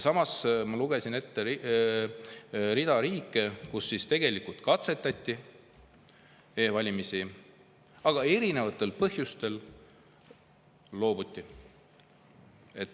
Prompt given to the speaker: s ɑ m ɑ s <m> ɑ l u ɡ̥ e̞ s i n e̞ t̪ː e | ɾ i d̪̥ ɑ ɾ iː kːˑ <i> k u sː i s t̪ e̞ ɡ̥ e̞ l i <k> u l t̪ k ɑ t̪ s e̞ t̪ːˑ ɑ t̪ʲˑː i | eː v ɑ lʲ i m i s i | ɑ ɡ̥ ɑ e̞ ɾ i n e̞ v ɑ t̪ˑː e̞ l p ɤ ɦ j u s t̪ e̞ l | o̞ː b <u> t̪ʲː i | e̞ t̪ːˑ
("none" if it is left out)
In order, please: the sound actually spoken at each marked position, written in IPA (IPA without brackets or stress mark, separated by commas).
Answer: m, e, k, u